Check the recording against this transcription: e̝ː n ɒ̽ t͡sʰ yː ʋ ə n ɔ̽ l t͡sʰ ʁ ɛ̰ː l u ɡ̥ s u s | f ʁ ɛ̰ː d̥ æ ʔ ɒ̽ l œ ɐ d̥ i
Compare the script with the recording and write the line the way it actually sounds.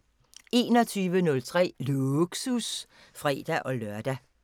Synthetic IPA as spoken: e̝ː n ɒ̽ t͡sʰ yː ʋ ə n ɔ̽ l t͡sʰ ʁ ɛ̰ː l u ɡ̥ s u s | f ʁ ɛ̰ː d̥ æ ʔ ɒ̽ l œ ɐ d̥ æ